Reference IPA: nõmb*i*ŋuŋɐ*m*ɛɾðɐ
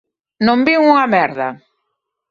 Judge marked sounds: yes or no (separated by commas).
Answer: yes, yes